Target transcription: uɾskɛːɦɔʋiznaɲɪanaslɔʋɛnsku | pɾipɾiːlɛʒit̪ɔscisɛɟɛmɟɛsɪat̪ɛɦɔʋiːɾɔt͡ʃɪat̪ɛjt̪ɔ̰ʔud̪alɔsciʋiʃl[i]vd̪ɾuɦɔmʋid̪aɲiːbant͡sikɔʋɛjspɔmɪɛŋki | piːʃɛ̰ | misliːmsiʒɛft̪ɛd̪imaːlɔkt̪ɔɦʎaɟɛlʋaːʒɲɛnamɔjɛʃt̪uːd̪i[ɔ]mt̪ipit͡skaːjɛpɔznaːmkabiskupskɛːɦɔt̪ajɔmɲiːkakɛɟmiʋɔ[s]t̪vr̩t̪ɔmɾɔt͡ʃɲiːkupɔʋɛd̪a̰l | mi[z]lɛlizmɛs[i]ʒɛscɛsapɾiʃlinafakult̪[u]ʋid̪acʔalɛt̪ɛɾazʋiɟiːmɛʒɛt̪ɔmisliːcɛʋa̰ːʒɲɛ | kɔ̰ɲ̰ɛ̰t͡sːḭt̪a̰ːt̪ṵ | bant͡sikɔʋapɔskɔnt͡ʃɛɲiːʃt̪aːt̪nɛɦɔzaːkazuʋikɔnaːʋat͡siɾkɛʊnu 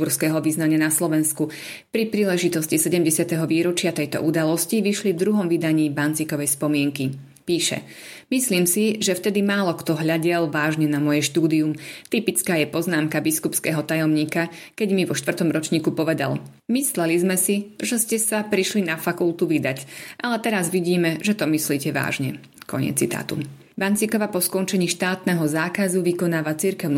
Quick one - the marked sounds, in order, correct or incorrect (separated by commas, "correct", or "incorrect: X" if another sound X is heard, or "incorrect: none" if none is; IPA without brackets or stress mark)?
correct, incorrect: u, incorrect: ʃ, incorrect: s, correct, correct